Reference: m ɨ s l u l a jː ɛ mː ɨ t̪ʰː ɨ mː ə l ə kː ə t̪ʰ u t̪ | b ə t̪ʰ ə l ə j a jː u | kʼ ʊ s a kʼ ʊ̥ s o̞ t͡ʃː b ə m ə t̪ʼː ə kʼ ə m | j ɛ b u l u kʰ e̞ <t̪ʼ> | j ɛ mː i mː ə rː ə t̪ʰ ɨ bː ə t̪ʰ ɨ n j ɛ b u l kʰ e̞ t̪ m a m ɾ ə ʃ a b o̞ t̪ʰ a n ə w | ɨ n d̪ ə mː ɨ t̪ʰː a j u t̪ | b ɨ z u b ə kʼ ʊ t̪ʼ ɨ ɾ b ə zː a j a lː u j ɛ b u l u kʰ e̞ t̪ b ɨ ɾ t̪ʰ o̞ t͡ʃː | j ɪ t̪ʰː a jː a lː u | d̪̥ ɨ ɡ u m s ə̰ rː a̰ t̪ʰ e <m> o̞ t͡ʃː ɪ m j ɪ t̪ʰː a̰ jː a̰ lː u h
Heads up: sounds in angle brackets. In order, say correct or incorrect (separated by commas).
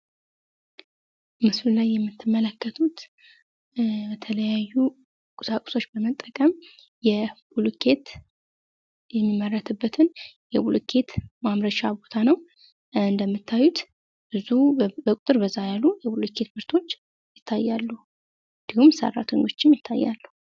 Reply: incorrect, incorrect